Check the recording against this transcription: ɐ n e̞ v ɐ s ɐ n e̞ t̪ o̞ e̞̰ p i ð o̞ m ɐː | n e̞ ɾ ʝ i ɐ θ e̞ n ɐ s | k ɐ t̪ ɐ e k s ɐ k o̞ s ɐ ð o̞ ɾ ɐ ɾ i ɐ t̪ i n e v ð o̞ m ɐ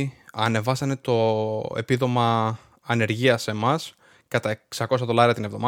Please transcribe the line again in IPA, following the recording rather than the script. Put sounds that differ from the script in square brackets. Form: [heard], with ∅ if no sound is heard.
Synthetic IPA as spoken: ɐ n e̞ v ɐ s ɐ n e̞ t̪ o̞ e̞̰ p i ð o̞ m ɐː | n e̞ ɾ ʝ i ɐ [s] e̞ [m] ɐ s | k ɐ t̪ ɐ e k s ɐ k o̞ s ɐ ð o̞ [l] ɐ ɾ i ɐ t̪ i n e v ð o̞ m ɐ